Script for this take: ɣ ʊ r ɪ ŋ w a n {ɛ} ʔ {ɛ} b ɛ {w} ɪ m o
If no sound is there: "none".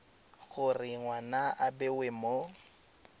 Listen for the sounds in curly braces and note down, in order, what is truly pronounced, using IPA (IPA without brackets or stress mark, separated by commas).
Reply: a, a, w